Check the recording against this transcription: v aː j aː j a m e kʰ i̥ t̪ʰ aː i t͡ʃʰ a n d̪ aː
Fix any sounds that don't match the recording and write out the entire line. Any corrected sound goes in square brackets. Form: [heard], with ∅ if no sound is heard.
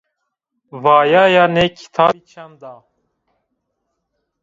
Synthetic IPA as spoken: v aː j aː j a [n] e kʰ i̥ t̪ʰ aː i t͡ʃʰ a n d̪ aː

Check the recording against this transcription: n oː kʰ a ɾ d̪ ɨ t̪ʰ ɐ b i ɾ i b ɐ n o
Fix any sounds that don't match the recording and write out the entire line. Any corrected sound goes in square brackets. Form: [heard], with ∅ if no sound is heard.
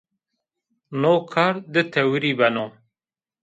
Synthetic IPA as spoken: n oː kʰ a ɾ d̪ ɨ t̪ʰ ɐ [w] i ɾ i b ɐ n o

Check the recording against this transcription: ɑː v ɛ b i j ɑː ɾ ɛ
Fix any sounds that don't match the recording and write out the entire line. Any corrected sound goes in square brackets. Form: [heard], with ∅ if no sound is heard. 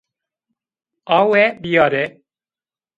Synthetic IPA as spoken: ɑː [w] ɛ b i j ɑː ɾ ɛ

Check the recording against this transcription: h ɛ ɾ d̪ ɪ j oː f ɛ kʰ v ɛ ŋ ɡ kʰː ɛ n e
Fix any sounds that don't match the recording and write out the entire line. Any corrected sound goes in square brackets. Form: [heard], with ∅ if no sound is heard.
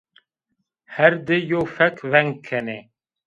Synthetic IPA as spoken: h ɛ ɾ d̪ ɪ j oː f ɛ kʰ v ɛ ŋ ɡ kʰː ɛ n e

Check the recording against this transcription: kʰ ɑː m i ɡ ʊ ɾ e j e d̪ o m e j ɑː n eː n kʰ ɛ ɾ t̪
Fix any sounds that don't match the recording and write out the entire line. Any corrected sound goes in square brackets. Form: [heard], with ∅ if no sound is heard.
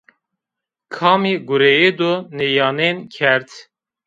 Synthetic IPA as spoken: kʰ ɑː m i ɡ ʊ ɾ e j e d̪ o [n] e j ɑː n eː n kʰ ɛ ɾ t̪

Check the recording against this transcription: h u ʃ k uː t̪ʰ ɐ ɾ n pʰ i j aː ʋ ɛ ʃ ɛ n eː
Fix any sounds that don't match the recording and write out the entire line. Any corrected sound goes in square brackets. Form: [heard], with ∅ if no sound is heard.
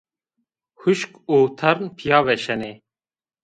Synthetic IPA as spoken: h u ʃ k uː t̪ʰ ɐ ɾ n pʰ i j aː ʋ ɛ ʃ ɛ n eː

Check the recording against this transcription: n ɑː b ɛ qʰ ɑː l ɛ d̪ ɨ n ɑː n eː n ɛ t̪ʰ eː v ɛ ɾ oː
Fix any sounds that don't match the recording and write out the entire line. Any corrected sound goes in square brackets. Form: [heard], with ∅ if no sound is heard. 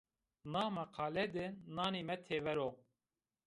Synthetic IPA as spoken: n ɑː [m] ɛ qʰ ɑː l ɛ d̪ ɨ n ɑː n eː [m] ɛ t̪ʰ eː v ɛ ɾ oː

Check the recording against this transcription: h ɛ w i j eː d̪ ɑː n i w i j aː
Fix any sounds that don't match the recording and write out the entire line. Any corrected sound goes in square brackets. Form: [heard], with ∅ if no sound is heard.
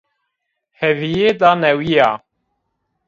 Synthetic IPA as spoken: h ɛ [v] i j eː d̪ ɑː n [ɛ] w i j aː

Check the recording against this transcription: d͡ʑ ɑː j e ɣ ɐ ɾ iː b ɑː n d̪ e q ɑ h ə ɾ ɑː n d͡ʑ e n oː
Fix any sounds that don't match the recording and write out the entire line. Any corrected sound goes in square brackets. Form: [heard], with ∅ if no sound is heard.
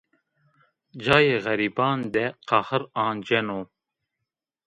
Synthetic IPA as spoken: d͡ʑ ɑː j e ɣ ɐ ɾ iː b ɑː n d̪ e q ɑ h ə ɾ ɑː n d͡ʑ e n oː

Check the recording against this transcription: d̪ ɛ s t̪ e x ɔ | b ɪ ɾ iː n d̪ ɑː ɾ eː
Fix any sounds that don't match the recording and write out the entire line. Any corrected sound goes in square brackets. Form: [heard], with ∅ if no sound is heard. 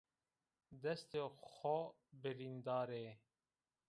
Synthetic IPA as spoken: d̪ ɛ s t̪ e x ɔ | b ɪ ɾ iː n d̪ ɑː ɾ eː

